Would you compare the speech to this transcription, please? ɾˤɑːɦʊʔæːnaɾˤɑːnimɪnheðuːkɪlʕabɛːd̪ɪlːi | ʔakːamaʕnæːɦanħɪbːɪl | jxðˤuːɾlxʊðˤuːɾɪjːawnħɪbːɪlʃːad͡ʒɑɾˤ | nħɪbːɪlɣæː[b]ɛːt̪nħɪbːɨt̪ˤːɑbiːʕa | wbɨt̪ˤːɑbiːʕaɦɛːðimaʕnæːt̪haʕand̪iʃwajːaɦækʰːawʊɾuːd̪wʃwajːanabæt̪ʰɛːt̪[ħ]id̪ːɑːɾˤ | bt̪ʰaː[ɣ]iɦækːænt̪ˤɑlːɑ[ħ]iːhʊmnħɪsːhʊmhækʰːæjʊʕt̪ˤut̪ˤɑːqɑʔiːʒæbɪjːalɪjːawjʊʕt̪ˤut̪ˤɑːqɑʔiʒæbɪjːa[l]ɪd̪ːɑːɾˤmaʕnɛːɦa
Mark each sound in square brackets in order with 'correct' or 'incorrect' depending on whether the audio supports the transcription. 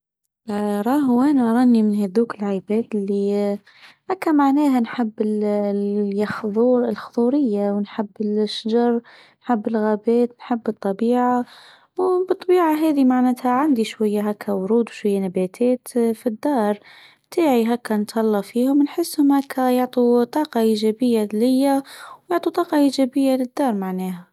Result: correct, incorrect: f, incorrect: ʕ, incorrect: f, correct

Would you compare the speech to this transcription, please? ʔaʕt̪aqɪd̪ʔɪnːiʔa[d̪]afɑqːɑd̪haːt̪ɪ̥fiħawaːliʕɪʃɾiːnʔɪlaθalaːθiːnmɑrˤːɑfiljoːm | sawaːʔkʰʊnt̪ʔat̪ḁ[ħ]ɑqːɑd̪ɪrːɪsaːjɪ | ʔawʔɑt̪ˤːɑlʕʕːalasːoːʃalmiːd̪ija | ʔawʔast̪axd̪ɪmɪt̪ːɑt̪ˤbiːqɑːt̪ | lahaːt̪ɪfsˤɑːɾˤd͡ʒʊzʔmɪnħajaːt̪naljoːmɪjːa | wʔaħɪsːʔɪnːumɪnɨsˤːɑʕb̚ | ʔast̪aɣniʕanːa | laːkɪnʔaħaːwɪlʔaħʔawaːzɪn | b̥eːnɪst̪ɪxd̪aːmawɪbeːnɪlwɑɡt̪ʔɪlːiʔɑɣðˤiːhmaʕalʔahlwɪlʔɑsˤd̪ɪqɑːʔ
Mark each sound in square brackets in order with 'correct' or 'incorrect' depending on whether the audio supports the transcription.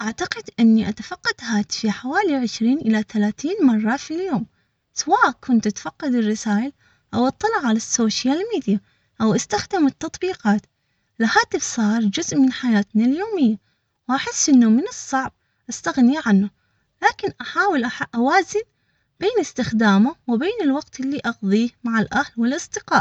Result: incorrect: t̪, incorrect: f

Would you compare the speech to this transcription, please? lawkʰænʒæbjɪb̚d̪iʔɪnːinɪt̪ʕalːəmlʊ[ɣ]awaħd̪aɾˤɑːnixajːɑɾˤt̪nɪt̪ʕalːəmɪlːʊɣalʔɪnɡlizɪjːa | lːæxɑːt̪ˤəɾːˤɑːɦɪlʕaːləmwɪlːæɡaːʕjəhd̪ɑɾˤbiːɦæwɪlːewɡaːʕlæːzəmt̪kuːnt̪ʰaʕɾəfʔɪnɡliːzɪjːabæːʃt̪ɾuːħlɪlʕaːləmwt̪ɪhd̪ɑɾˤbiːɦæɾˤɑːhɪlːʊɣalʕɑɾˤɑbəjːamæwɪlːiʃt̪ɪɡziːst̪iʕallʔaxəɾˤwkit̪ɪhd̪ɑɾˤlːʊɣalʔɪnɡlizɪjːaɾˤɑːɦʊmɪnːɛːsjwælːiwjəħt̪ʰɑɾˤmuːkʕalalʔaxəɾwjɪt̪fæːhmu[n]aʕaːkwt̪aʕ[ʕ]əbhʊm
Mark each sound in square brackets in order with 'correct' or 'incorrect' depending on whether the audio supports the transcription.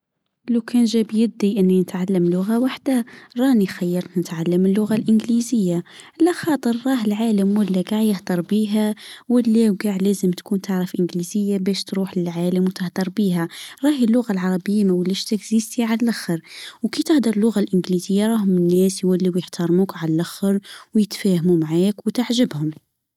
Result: correct, incorrect: m, incorrect: ʒ

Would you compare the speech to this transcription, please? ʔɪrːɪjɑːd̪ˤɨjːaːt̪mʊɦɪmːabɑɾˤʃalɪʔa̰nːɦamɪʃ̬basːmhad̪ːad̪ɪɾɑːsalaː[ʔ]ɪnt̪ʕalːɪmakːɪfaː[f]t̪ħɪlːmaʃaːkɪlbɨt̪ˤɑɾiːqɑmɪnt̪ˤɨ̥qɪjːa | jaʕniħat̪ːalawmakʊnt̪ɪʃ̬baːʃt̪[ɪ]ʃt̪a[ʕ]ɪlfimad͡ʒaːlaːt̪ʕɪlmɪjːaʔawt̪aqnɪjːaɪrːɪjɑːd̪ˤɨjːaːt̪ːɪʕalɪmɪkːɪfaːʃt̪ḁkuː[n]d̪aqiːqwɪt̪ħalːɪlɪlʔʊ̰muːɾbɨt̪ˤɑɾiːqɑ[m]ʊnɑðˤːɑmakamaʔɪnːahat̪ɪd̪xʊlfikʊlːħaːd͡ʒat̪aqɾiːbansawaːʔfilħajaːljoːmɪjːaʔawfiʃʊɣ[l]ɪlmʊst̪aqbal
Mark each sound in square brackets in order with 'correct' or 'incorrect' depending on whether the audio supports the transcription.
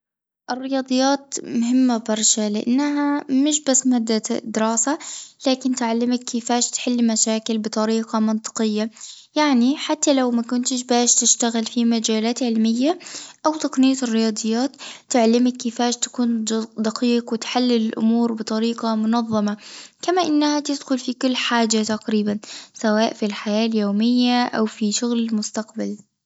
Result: incorrect: k, incorrect: ʃ, correct, incorrect: ɣ, correct, correct, correct

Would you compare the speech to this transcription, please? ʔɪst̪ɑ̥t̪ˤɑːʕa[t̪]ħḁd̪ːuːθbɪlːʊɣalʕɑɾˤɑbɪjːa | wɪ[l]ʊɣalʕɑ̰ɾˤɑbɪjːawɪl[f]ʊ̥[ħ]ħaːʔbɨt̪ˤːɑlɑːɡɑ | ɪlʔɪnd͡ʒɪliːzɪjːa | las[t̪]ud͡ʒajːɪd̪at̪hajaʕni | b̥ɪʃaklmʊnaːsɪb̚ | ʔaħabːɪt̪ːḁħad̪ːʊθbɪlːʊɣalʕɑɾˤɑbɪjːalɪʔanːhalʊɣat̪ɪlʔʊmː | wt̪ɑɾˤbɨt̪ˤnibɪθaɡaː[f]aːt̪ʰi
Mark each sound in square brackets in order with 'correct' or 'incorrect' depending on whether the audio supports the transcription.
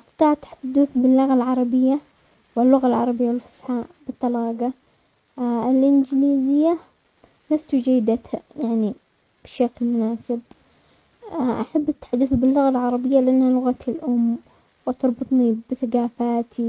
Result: correct, incorrect: lː, correct, incorrect: s, correct, correct

